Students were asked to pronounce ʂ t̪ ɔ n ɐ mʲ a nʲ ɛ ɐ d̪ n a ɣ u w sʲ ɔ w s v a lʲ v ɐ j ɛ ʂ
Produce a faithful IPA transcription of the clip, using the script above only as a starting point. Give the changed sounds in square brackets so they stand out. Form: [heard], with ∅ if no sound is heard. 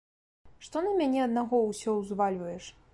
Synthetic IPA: ʂ t̪ ɔ n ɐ mʲ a nʲ ɛ ɐ d̪ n a ɣ [ɔ] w sʲ ɔ w [z] v a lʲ v ɐ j ɛ ʂ